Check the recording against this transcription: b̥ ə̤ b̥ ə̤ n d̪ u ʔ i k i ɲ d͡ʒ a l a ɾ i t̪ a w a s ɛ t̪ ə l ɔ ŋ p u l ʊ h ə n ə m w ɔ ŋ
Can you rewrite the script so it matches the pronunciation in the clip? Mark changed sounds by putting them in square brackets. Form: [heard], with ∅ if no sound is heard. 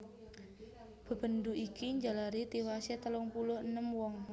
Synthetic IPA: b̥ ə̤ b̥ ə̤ n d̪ u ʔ i k i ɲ d͡ʒ a l a ɾ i t̪ [i] w a s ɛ t̪ ə l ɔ ŋ p u l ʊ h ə n ə m w ɔ ŋ

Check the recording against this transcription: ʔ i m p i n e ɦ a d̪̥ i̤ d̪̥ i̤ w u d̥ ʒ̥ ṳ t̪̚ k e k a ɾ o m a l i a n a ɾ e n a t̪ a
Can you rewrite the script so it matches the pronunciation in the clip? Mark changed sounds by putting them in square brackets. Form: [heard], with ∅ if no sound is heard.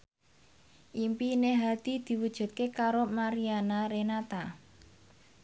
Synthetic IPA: ʔ i m p i n e ɦ a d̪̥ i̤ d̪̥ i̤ w u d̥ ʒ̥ ṳ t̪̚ k e k a ɾ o m a [ɾ] i a n a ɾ e n a t̪ a

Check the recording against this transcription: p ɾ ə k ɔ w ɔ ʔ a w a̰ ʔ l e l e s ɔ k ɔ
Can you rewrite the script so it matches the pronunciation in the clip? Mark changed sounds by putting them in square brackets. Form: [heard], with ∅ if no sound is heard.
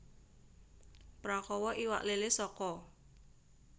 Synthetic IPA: p ɾ [a] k ɔ w ɔ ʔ [i] w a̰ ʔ l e l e s ɔ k ɔ

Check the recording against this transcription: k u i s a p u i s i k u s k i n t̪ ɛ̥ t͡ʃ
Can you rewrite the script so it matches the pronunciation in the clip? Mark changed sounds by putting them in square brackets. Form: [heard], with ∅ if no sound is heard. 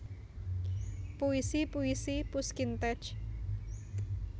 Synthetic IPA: [p] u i s [i] p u i s i [p] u s k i n t̪ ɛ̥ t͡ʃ

